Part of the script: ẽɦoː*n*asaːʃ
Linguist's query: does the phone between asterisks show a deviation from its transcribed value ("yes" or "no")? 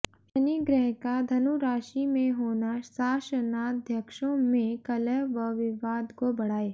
no